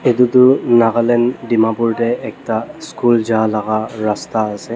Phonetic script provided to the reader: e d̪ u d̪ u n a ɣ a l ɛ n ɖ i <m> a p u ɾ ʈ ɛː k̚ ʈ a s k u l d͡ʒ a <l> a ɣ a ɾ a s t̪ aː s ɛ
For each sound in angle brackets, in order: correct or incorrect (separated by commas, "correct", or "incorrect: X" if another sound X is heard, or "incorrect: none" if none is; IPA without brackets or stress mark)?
correct, correct